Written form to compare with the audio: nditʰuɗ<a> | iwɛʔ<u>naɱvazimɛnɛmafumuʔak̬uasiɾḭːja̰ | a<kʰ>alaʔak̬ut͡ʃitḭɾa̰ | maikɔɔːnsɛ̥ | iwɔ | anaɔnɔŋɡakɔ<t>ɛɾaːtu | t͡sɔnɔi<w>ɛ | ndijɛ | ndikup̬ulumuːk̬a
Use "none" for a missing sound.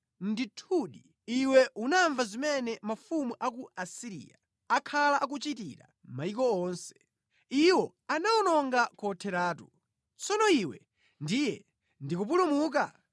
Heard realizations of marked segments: i, u, kʰ, tʰ, w

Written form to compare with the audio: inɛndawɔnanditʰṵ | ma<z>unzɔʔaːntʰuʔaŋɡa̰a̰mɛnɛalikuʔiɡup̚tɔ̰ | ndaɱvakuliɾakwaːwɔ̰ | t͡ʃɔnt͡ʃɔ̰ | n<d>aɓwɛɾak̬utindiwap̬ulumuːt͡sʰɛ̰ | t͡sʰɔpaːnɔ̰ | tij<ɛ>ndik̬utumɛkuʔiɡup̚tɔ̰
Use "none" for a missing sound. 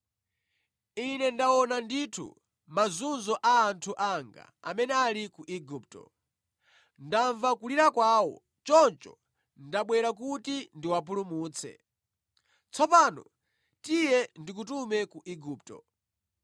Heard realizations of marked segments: z, d, ɛ

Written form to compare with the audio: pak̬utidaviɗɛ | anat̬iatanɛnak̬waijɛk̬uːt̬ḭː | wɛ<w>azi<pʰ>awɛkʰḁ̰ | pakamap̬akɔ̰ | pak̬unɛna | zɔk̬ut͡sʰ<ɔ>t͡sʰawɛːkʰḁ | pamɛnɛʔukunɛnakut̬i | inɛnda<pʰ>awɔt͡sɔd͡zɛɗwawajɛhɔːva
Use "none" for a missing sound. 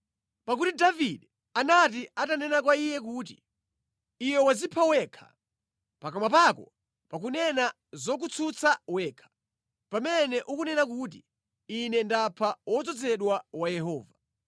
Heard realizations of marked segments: w, pʰ, u, pʰ

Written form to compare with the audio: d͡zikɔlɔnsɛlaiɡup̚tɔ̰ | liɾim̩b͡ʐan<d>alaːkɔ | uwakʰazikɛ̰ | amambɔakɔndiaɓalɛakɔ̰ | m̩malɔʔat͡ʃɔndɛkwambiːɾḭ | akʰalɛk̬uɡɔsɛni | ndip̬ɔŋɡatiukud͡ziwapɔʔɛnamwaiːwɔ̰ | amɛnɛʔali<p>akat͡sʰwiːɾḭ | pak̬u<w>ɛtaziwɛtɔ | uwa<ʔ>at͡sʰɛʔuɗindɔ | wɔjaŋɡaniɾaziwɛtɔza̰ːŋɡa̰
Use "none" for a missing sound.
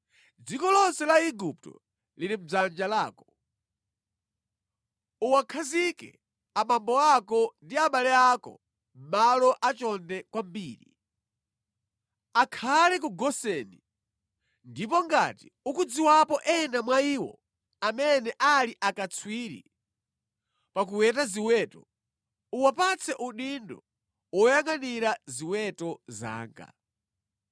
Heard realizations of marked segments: d͡ʒ, ʔ, w, p

